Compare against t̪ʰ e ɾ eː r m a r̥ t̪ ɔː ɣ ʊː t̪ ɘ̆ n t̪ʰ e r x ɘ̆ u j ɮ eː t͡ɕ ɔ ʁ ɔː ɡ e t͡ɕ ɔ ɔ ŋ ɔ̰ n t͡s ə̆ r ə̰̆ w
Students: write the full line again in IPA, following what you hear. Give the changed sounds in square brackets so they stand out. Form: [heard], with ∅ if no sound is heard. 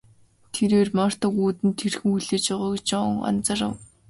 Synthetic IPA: t̪ʰ e ɾ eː r m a r̥ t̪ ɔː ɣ [uː] t̪ ɘ̆ n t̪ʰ e r x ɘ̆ u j ɮ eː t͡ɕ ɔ ʁ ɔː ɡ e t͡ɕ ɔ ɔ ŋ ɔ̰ n t͡s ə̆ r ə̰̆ w